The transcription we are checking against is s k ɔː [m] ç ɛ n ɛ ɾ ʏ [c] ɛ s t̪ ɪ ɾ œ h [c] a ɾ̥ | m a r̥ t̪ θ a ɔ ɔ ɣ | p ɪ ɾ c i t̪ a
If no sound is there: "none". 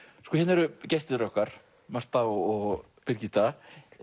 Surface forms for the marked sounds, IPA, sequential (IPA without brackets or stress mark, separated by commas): none, c, k